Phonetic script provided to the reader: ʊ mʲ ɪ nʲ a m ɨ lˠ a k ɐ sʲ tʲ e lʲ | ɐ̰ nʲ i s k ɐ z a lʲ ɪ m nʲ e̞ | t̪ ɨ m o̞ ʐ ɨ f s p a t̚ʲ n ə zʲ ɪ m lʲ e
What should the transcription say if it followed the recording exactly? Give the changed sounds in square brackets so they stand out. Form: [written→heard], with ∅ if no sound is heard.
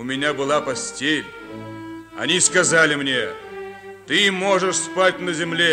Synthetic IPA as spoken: ʊ mʲ ɪ nʲ a [m→b] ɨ lˠ a [k→p] ɐ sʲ tʲ e lʲ | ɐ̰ nʲ i s k ɐ z a lʲ ɪ m nʲ e̞ | t̪ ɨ m o̞ ʐ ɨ [f→ʂ] s p a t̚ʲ n ə zʲ ɪ m lʲ e